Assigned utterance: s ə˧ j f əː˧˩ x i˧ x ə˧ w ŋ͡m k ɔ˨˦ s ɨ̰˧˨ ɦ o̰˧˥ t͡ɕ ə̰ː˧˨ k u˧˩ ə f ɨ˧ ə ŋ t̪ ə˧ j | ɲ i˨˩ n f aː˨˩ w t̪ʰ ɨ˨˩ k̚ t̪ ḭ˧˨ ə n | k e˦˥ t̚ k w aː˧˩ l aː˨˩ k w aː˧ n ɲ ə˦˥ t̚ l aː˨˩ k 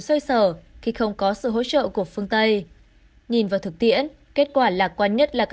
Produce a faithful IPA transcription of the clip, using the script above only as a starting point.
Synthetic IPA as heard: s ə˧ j s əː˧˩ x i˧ x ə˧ w ŋ͡m k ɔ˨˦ s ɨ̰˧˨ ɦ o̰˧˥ t͡ɕ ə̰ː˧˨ k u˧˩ ə f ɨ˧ ə ŋ t̪ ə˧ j | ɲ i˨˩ n v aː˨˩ w t̪ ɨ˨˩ k̚ t̪ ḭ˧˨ ə n | k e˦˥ t̚ k w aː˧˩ l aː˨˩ k w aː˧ n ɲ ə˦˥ t̚ l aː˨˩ k